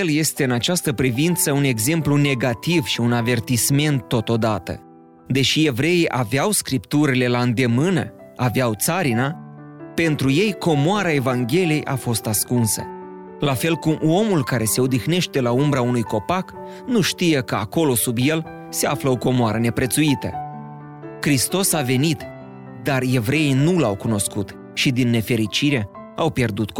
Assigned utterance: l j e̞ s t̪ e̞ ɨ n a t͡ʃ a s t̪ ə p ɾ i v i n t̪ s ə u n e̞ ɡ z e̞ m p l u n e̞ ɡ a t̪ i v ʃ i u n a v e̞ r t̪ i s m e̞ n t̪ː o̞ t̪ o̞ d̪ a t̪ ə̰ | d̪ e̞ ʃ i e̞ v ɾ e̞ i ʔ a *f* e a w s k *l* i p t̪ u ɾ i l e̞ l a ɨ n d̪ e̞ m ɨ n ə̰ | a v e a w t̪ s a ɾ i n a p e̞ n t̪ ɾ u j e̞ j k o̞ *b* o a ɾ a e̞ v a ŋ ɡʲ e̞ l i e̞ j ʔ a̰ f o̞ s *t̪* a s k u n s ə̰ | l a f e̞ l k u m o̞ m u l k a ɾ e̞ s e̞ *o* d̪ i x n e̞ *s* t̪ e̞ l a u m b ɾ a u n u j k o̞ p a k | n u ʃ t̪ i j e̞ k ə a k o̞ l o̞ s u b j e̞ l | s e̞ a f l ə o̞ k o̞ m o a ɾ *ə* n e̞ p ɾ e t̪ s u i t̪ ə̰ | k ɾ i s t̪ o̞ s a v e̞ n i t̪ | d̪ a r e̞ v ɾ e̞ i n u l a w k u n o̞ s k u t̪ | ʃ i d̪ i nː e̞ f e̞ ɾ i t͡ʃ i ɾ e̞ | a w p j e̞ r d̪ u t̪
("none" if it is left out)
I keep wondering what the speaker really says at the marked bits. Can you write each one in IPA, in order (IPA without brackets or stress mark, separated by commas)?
v, ɾ, m, t̪, o, ʃ, ə